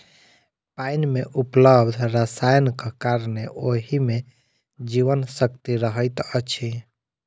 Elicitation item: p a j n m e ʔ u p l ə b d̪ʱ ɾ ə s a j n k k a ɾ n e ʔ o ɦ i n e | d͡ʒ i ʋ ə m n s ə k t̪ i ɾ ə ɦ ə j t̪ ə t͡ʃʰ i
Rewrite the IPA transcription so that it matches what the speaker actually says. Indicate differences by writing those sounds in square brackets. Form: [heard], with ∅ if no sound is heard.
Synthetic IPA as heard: p a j n m e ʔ u p l ə b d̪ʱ ɾ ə s a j n k k a ɾ n e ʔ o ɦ i [m] e | d͡ʒ i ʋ ə [∅] n s ə k t̪ i ɾ ə ɦ ə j t̪ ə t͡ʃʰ i

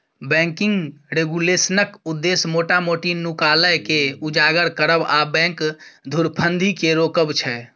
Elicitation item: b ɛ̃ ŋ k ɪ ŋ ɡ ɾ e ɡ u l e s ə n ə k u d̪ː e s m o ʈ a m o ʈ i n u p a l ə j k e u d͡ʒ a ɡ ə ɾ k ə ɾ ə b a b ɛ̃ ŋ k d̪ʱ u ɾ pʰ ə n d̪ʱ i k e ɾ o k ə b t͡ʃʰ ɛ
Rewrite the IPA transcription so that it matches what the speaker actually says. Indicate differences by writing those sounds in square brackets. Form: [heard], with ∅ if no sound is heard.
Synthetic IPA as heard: b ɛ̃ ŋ k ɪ ŋ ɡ ɾ e ɡ u l e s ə n ə k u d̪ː e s m o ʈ a m o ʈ i n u [k] a l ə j k e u d͡ʒ a ɡ ə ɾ k ə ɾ ə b a b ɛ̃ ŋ k d̪ʱ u ɾ pʰ ə n d̪ʱ i k e ɾ o k ə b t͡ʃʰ ɛ

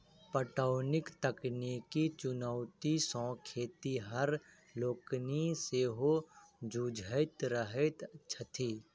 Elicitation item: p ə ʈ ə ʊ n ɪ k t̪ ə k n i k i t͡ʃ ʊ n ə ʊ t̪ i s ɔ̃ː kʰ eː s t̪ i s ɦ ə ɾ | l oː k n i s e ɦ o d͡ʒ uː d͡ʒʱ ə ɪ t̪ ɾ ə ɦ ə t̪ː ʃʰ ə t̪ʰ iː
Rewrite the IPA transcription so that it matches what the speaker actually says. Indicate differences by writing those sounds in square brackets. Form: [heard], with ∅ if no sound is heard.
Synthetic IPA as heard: p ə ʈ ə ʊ n ɪ k t̪ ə k n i k i t͡ʃ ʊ n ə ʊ t̪ i s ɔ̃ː kʰ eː [∅] t̪ i [∅] ɦ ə ɾ | l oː k n i s e ɦ o d͡ʒ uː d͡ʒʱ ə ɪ t̪ ɾ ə ɦ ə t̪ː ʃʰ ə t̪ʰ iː

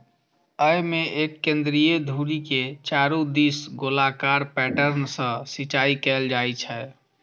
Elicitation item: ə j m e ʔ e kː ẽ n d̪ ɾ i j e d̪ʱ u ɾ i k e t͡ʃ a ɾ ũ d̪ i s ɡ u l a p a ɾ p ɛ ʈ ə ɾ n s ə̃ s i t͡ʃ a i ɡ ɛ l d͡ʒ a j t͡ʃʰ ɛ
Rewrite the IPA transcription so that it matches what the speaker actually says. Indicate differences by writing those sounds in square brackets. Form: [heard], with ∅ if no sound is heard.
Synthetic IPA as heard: ə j m e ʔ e kː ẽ n d̪ ɾ i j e d̪ʱ u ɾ i k e t͡ʃ a ɾ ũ d̪ i s ɡ [o] l a [k] a ɾ p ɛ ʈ ə ɾ n s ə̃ s i t͡ʃ a i [k] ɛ l d͡ʒ a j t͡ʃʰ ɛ

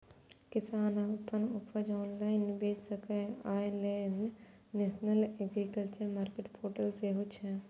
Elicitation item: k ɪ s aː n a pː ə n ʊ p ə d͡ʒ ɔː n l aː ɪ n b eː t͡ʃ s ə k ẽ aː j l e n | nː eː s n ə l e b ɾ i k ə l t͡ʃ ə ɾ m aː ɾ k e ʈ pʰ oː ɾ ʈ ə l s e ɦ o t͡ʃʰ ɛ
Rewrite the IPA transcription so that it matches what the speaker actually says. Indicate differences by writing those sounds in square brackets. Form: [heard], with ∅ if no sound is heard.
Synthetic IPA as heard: k ɪ s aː n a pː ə n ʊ p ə d͡ʒ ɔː n l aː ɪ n b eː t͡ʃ s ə k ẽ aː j l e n | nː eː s n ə l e [ɡ] ɾ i k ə l t͡ʃ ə ɾ m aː ɾ k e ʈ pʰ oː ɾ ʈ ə l s e ɦ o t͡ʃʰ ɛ

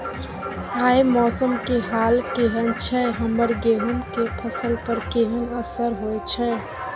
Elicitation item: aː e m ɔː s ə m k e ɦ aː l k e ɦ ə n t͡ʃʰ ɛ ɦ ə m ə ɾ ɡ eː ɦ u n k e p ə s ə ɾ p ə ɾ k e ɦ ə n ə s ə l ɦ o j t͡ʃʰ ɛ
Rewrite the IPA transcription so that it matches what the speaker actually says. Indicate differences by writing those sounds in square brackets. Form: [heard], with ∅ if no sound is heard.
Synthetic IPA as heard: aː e m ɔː s ə m k e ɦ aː l k e ɦ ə n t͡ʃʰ ɛ ɦ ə m ə ɾ ɡ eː ɦ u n k e [pʰ] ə s ə [l] p ə ɾ k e ɦ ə n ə s ə [ɾ] ɦ o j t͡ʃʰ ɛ

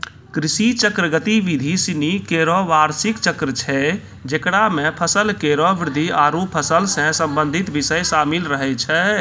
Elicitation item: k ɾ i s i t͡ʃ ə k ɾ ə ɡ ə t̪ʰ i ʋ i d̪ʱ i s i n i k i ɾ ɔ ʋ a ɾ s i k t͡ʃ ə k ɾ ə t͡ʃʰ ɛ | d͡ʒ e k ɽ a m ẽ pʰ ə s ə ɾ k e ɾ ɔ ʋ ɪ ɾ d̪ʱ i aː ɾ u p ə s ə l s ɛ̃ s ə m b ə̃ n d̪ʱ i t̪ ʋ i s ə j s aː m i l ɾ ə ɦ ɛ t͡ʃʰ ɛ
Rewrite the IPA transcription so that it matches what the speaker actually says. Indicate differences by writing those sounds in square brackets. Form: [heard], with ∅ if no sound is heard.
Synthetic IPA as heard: k ɾ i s i t͡ʃ ə k ɾ ə ɡ ə [t̪] i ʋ i d̪ʱ i s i n i k [e] ɾ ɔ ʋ a ɾ s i k t͡ʃ ə k ɾ ə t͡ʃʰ ɛ | d͡ʒ e k ɽ a m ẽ pʰ ə s ə [l] k e ɾ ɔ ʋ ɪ ɾ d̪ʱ i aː ɾ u [pʰ] ə s ə l s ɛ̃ s ə m b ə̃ n d̪ʱ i t̪ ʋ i s ə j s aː m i l ɾ ə ɦ ɛ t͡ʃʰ ɛ

